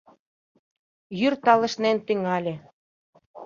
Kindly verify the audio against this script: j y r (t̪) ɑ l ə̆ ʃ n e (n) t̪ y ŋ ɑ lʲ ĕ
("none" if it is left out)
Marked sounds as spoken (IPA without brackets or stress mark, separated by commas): t̪, n